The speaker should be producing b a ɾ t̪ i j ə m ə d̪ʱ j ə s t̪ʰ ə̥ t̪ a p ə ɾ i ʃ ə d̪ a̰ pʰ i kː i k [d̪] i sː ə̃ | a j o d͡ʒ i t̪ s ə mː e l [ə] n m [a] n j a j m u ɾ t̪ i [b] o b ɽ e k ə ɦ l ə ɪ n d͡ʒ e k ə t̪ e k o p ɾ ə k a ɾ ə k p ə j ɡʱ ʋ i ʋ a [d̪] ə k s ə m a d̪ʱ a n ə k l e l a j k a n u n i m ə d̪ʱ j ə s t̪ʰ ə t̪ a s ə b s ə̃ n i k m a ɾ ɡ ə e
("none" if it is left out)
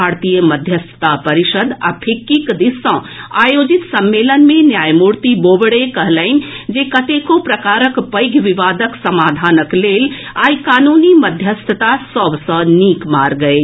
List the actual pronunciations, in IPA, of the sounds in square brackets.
d̪, ə, e, b, d̪

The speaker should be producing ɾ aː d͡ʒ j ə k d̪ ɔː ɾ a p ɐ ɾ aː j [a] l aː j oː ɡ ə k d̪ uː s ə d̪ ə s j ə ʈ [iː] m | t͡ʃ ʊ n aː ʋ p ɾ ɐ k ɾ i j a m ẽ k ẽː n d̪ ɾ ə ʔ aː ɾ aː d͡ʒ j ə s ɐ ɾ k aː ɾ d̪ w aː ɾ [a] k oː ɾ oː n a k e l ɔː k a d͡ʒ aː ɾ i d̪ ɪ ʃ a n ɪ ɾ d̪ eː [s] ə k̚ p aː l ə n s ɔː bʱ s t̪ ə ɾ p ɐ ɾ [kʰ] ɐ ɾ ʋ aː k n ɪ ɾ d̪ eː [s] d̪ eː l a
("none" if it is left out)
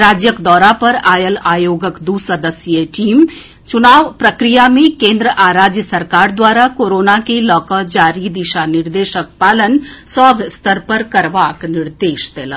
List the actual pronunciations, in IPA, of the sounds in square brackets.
ə, iː, a, ʃ, k, ʃ

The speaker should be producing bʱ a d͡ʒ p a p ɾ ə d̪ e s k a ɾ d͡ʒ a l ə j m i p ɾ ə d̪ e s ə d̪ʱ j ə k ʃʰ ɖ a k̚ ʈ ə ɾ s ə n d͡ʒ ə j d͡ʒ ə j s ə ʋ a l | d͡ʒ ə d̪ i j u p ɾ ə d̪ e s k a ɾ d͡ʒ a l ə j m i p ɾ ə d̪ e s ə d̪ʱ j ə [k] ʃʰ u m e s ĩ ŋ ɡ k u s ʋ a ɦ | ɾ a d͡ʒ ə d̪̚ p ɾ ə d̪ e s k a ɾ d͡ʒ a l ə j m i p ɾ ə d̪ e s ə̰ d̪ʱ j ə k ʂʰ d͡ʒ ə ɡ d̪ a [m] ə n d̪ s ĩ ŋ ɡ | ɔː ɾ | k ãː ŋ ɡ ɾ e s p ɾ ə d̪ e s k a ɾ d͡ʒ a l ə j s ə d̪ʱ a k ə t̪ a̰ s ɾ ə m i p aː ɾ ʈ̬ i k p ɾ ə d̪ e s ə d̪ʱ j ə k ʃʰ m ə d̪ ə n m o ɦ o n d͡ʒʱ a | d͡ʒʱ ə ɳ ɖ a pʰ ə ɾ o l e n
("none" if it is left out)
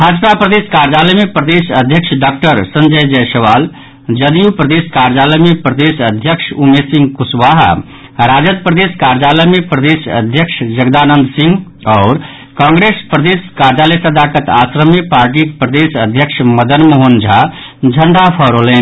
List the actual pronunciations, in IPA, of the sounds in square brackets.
k, n

